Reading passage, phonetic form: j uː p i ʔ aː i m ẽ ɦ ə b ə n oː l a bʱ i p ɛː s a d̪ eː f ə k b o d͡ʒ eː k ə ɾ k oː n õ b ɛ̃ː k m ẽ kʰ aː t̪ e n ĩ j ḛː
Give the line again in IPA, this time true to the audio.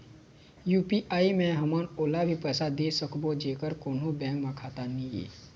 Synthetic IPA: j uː p i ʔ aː i m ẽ ɦ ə m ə n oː l a bʱ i p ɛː s a d̪ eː s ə k b o d͡ʒ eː k ə ɾ k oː n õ b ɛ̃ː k m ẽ kʰ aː t̪ a n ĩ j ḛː

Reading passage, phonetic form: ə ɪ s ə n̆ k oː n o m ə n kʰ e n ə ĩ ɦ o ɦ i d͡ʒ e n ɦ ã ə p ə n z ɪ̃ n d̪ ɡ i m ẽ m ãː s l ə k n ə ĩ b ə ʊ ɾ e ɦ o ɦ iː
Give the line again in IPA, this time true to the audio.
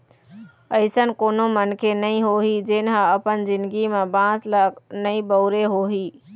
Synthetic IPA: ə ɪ s ə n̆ k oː n o m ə n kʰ e n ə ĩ ɦ o ɦ i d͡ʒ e n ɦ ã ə p ə n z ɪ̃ n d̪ ɡ i m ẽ b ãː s l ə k n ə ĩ b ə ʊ ɾ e ɦ o ɦ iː

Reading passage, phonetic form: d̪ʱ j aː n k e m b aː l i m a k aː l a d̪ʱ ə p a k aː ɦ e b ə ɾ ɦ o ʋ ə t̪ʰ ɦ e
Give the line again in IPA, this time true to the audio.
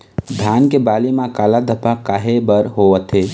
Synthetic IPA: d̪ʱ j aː n k e b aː l i m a k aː l a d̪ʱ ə p a k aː ɦ e b ə ɾ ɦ o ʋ ə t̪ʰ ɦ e

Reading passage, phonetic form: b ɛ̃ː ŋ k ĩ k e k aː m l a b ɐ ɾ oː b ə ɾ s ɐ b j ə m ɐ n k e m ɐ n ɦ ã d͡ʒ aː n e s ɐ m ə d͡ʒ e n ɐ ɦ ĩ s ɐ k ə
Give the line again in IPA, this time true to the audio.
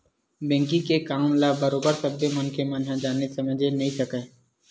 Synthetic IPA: b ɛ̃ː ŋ k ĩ k e k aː m l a b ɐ ɾ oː b ə ɾ s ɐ b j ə m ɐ n k e m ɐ n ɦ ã d͡ʒ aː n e s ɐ m ə d͡ʒ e n ɐ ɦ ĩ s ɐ k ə

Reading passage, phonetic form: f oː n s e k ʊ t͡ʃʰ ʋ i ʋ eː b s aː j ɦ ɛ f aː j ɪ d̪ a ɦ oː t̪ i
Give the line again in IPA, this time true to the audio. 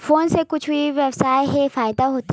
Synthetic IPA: f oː n s e k ʊ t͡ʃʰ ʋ i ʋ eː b s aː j ɦ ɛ f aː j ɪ d̪ a ɦ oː t̪ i

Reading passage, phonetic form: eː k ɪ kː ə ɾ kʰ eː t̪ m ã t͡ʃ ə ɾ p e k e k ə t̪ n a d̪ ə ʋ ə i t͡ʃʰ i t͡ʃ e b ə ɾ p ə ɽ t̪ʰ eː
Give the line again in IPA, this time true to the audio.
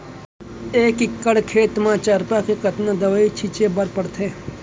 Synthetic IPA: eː k ɪ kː ə ɽ kʰ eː t̪ m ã t͡ʃ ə ɾ p a k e k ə t̪ n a d̪ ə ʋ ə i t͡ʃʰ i t͡ʃ e b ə ɾ p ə ɽ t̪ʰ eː

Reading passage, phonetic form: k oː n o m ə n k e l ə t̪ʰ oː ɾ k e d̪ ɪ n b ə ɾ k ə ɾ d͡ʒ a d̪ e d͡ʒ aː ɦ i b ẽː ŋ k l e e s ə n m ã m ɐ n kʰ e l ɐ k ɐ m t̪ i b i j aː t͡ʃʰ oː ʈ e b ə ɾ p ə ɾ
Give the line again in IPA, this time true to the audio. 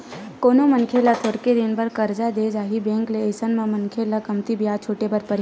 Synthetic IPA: k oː n o m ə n kʰ e l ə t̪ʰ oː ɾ k e d̪ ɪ n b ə ɾ k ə ɾ d͡ʒ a d̪ e d͡ʒ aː ɦ i b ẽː ŋ k l e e s ə n m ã m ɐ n kʰ e l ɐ k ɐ m t̪ i b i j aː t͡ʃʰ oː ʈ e b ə ɾ p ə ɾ

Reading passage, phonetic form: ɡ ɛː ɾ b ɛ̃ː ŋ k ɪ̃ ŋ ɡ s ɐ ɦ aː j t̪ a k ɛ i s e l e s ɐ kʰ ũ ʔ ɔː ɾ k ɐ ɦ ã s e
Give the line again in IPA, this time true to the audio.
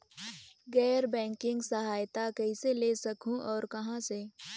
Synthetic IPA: ɡ ɛː ɾ b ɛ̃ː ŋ k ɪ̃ ŋ ɡ s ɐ ɦ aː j t̪ a k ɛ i s e l e s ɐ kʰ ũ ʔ ɔː ɾ k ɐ ɦ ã s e

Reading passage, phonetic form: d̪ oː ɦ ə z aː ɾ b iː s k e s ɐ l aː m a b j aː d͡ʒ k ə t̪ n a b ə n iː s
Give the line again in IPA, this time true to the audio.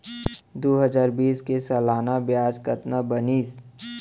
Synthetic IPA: d̪ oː ɦ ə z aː ɾ b iː s k e s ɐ l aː n a b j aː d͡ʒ k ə t̪ n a b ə n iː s

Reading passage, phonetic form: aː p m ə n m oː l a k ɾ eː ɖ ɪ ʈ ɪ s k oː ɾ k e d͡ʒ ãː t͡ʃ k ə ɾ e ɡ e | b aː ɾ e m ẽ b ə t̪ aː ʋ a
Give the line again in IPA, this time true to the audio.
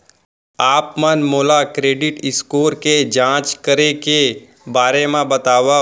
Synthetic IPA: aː p m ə n m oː l a k ɾ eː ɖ ɪ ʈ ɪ s k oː ɾ k e d͡ʒ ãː t͡ʃ k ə ɾ e k e | b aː ɾ e m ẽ b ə t̪ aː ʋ a

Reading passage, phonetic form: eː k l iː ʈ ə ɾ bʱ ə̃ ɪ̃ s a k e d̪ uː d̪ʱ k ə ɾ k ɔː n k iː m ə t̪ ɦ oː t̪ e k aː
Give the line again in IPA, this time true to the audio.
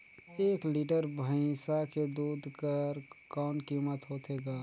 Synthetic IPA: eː k l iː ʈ ə ɾ bʱ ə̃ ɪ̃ s a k e d̪ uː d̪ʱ k ə ɾ k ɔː n k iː m ə t̪ ɦ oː t̪ e ɡ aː

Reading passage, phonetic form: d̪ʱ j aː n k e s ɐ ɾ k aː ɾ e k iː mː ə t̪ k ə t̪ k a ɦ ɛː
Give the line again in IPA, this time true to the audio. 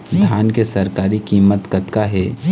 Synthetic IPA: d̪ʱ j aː n k e s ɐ ɾ k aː ɾ i k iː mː ə t̪ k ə t̪ k a ɦ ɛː

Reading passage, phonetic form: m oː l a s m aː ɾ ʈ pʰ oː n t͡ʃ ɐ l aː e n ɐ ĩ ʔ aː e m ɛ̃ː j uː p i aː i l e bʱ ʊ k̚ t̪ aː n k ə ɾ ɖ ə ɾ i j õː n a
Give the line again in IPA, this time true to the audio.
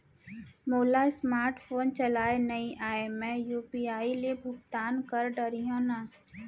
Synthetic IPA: m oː l a s m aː ɾ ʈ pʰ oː n t͡ʃ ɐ l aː e n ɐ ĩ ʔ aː e m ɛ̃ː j uː p i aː i l e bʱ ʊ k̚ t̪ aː n k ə ɾ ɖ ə ɾ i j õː n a

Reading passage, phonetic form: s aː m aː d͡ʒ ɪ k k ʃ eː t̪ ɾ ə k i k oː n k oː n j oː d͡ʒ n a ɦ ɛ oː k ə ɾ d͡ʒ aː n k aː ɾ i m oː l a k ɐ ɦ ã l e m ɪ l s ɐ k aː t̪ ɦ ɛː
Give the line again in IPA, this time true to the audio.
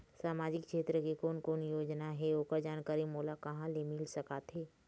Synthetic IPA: s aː m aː d͡ʒ ɪ k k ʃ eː t̪ ɾ ə k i k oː n k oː n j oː d͡ʒ n a ɦ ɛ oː k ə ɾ d͡ʒ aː n k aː ɾ i m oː l a k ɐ ɦ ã l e m ɪ l s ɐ k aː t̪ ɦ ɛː

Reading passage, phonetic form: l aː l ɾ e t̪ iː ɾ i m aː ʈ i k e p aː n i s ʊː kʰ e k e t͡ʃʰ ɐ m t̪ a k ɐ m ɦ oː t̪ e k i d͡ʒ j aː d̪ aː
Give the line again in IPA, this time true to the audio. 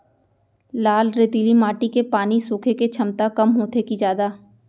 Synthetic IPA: l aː l ɾ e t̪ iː l i m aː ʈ i k e p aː n i s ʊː kʰ e k e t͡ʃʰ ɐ m t̪ a k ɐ m ɦ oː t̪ e k i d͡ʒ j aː d̪ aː

